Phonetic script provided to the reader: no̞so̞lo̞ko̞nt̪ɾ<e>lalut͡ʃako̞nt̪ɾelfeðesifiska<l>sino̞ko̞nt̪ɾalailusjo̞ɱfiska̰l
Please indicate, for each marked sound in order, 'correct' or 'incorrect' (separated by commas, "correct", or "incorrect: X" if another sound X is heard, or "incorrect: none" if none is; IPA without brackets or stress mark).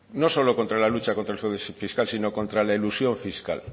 incorrect: a, correct